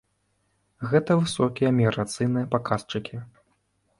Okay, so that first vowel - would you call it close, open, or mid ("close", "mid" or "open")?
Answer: mid